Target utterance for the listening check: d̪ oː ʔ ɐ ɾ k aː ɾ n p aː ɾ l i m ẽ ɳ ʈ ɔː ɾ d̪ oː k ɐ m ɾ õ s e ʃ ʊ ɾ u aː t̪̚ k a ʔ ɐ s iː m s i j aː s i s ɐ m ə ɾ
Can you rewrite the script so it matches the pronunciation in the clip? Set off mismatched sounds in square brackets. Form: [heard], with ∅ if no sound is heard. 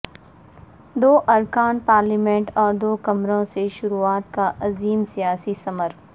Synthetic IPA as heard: d̪ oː ʔ ɐ ɾ k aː [∅] n p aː ɾ l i m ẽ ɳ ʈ ɔː ɾ d̪ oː k ɐ m ɾ õ s e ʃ ʊ ɾ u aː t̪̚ k a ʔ ɐ [z] iː m s i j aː s i s ɐ m ə ɾ